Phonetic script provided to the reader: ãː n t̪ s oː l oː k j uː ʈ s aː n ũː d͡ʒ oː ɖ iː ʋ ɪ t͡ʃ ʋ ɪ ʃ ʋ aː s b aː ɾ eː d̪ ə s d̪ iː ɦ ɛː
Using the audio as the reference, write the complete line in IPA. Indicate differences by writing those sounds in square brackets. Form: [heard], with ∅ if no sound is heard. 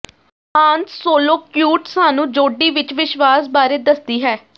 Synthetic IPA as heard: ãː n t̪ s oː l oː k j uː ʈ s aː n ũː d͡ʒ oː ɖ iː ʋ ɪ t͡ʃ ʋ ɪ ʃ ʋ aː s b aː ɾ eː d̪ ə s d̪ iː ɦ ɛː